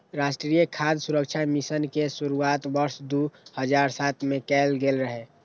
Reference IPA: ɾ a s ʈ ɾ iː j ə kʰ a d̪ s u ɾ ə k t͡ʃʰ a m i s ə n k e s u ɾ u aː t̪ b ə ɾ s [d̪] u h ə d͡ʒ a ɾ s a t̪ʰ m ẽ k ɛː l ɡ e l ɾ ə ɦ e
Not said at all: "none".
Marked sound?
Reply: d̪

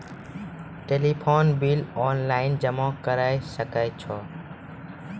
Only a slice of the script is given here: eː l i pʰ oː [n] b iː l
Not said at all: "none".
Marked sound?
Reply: n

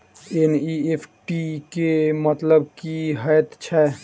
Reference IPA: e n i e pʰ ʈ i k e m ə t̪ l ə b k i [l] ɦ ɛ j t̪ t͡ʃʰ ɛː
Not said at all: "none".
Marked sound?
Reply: none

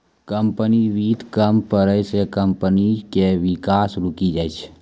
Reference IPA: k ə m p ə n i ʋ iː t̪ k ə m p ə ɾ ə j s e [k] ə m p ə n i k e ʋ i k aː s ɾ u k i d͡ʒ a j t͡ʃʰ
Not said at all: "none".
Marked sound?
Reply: k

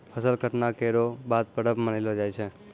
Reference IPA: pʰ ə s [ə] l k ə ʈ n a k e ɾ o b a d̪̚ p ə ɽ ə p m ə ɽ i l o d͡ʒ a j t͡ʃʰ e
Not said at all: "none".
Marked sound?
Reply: ə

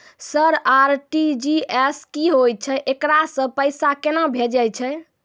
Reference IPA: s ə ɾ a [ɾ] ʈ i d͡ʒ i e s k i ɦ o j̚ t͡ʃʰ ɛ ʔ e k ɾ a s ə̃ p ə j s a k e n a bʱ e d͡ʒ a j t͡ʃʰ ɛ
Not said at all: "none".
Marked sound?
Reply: ɾ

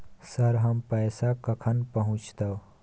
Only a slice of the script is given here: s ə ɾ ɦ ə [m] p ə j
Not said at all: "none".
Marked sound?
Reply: m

